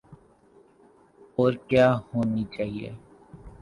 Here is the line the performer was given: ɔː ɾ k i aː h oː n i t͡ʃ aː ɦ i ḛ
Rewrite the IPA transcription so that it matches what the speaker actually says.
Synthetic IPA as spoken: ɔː ɾ k j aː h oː n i t͡ʃ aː ɦ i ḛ

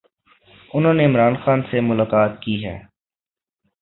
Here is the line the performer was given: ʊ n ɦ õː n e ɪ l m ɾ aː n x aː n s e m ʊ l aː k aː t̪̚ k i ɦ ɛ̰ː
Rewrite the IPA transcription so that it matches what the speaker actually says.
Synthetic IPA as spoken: ʊ n ɦ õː n e ɪ m ɾ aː n x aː n s e m ʊ l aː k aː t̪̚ k i ɦ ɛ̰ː

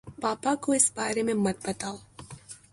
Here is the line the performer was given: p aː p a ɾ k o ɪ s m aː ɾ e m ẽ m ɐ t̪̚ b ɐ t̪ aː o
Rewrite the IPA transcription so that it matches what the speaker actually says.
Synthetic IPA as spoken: p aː p a k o ɪ s b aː ɾ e m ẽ m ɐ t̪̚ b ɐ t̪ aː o

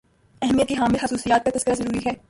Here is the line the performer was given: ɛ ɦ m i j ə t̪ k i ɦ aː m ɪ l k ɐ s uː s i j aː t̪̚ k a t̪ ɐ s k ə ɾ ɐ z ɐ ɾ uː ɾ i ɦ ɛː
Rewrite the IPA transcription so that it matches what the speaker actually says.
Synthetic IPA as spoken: ɛ ɦ m i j ə t̪ k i ɦ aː m ɪ l x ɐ s uː s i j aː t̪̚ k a t̪ ɐ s k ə ɾ a z ɐ ɾ uː ɾ i ɦ ɛː

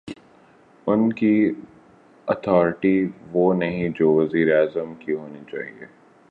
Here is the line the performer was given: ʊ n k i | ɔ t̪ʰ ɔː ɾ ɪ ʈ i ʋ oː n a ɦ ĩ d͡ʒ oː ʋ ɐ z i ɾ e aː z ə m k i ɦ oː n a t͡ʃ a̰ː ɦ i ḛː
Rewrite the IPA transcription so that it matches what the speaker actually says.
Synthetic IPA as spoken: ʊ n k i | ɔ t̪ʰ ɔː ɾ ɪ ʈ i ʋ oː n ɐ ɦ ĩ d͡ʒ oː ʋ ɐ z iː ɾ e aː z ə m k i ɦ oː n i t͡ʃ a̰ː ɦ i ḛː

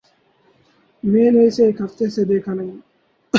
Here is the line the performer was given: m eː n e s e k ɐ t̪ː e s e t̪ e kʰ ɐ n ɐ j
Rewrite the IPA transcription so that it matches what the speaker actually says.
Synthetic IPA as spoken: m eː n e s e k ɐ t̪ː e s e d̪ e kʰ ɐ n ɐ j

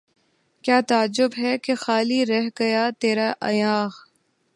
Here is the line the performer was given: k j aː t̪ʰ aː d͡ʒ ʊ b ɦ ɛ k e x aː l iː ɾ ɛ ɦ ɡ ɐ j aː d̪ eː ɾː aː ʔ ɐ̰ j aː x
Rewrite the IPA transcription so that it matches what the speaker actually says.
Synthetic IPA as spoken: k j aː t̪ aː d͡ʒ ʊ b ɦ ɛ k e x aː l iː ɾ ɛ ɦ ɡ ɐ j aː t̪ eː ɾ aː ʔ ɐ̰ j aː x

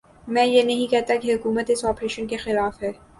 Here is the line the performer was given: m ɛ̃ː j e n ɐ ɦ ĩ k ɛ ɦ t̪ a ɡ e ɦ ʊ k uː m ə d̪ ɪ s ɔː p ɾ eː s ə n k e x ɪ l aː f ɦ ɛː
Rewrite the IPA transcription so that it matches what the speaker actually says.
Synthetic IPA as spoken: m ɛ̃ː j e n ɐ ɦ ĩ k ɛ ɦ t̪ a k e ɦ ʊ k uː m ə t̪ ɪ s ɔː p ɾ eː ʃ ə n k e x ɪ l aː f ɦ ɛː

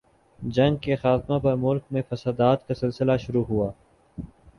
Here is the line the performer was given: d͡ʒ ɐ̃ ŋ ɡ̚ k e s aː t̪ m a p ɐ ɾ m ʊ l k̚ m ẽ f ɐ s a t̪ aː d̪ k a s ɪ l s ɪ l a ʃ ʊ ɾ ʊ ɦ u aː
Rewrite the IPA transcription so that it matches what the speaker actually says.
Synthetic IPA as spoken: d͡ʒ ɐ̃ ŋ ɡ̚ k e x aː t̪ m a p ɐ ɾ m ʊ l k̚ m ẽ f ɐ s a d̪ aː t̪ k a s ɪ l s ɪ l a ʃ ʊ ɾ u ɦ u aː

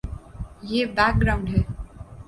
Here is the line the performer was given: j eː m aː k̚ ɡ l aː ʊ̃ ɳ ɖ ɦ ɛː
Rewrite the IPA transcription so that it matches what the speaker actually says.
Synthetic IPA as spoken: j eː b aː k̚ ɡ ɾ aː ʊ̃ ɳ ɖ ɦ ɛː

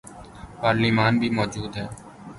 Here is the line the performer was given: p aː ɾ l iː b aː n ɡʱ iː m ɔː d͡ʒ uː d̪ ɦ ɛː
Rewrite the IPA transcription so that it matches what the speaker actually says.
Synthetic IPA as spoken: p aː ɾ l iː m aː n bʱ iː m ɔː d͡ʒ uː d̪ ɦ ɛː

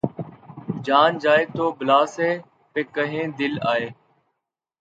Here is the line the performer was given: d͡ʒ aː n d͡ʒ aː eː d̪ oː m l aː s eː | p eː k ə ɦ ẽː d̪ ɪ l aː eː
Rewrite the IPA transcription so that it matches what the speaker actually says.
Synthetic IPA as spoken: d͡ʒ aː n d͡ʒ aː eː t̪ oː b l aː s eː | p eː k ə ɦ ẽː d̪ ɪ l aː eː

